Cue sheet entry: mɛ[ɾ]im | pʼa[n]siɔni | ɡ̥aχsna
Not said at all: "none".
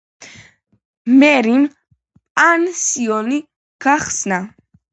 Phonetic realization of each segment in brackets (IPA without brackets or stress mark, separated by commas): ɾ, n